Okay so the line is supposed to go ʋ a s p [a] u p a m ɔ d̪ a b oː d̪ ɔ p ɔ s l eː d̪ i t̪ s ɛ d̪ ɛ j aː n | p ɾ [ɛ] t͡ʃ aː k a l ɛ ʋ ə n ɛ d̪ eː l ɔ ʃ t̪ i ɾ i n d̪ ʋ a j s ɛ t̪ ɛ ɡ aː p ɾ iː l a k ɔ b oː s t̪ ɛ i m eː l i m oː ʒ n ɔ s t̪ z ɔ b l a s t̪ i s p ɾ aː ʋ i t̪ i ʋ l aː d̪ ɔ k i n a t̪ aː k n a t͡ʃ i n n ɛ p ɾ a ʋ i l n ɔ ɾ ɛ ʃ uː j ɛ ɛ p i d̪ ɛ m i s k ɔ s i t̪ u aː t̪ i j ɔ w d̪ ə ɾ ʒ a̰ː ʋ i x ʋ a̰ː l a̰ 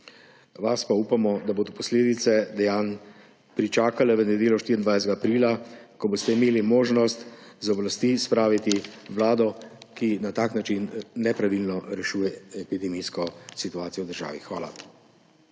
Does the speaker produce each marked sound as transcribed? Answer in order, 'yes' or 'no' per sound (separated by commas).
yes, no